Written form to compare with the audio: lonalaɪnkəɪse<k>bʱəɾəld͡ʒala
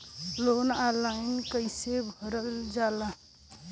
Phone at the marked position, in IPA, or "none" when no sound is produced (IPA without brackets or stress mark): none